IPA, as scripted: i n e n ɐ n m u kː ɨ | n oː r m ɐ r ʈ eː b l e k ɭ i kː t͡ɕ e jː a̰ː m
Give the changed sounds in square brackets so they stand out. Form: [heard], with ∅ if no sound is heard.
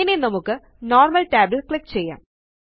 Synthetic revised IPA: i n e n ɐ [∅] m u kː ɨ | n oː r m ɐ [l] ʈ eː b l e k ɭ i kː t͡ɕ e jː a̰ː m